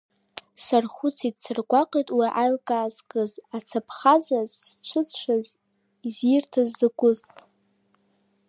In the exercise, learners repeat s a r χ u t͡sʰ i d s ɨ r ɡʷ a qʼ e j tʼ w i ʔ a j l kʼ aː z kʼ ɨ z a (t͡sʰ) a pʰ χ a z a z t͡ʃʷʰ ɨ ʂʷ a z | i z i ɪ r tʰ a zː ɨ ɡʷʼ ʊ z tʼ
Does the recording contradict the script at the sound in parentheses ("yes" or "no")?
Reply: no